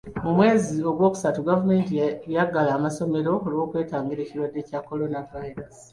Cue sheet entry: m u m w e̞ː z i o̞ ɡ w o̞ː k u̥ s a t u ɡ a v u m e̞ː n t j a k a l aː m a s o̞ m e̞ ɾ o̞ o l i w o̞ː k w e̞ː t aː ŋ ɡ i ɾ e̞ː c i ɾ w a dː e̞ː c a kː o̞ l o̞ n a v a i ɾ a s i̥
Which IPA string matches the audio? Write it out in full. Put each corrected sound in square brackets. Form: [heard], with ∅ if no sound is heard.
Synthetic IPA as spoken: m u m w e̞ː z i o̞ ɡ w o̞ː k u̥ s a t u ɡ a v u m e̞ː n t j a [ɡ] a l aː m a s o̞ m e̞ ɾ o̞ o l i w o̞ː k w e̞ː t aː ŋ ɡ i ɾ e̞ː c i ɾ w a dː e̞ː c a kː o̞ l o̞ n a v a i ɾ a s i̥

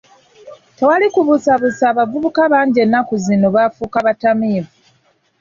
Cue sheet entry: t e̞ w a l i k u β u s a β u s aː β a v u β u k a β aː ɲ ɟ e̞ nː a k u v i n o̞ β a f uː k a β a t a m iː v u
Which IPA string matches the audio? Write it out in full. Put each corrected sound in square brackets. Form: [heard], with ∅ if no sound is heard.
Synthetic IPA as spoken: t e̞ w a l i k u β u s a β u s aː β a v u β u k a β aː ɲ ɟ e̞ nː a k u [z] i n o̞ β a f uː k a β a t a m iː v u

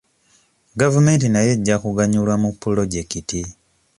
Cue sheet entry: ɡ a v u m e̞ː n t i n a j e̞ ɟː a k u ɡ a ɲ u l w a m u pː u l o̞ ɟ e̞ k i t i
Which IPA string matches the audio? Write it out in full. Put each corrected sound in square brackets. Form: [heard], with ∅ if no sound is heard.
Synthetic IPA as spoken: ɡ a v u m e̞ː n t i n a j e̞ ɟː a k u ɡ a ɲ u l w a m u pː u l o̞ ɟ e̞ k i t i

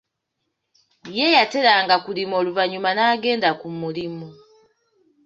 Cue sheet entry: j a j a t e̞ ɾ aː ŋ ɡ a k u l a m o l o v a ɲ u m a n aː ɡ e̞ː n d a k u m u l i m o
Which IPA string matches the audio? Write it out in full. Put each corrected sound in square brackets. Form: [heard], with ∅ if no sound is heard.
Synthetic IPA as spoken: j [e] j a t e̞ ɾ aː ŋ ɡ a k u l [i] m o l [u] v a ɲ u m a n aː ɡ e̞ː n d a k u m u l i m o

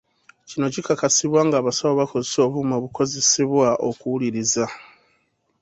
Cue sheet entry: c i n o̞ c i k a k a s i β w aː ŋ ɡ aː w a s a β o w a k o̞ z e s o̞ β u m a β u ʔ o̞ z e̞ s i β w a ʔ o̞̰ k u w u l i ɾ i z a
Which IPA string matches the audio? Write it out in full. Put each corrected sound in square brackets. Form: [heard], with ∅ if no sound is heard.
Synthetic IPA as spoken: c i n o̞ c i k a k a s i β w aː ŋ ɡ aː [β] a s a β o [β] a k o̞ z e s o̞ β u m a β u [k] o̞ z e̞ s i β w a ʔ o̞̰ k u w u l i ɾ i z a

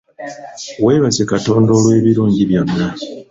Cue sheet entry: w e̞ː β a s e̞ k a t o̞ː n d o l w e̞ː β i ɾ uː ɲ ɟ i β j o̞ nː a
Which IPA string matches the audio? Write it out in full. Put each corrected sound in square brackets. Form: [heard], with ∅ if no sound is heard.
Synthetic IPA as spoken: w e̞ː β a [z] e̞ k a t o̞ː n d o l w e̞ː β i ɾ uː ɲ ɟ i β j o̞ nː a

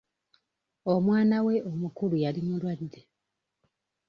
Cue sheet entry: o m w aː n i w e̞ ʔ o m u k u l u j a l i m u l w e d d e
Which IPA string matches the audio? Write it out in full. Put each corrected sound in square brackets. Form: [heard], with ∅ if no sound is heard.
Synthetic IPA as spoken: o m w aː n [a] w e̞ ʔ o m u k u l u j a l i m u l w [a] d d e

